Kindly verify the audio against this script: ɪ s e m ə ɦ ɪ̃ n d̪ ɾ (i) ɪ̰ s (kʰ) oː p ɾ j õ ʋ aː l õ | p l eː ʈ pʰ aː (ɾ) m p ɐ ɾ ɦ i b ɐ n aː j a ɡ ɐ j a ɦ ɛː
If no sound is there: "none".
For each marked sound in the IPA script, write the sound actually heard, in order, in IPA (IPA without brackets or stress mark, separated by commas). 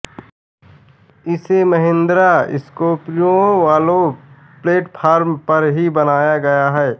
a, k, ɾ